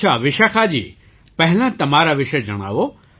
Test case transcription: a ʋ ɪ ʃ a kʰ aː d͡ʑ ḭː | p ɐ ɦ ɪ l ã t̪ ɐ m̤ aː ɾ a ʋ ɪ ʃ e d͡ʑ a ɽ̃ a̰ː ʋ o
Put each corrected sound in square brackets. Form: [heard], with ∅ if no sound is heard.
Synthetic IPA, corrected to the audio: a ʋ ɪ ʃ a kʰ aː d͡ʑ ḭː | p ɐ ɦ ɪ l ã t̪ ɐ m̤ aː ɾ a ʋ ɪ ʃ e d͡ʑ [ɐ] ɽ̃ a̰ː ʋ o